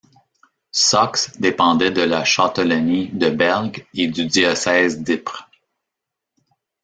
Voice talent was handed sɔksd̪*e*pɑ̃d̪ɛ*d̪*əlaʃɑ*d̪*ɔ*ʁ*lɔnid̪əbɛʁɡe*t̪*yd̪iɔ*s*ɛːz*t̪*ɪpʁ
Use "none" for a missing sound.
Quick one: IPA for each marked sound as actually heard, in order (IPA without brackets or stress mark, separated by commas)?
e, d̪, t̪, none, d̪, s, d̪